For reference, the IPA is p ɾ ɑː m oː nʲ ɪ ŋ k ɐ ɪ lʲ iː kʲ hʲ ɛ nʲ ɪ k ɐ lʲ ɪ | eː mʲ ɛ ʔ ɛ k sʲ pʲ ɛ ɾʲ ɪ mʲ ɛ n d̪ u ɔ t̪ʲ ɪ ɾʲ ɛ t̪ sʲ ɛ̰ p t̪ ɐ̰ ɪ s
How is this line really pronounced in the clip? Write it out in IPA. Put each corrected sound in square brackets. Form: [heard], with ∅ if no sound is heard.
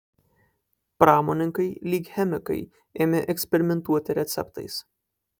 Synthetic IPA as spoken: p ɾ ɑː m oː nʲ ɪ ŋ k ɐ ɪ lʲ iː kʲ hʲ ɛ [mʲ] ɪ k ɐ [∅] ɪ | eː mʲ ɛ ʔ ɛ k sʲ pʲ ɛ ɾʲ ɪ mʲ ɛ n [t̪] u ɔ t̪ʲ ɪ ɾʲ ɛ t̪ sʲ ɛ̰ p t̪ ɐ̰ ɪ s